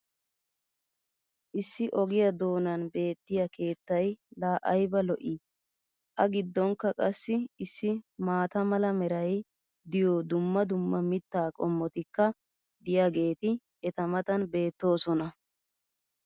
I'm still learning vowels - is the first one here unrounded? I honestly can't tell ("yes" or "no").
yes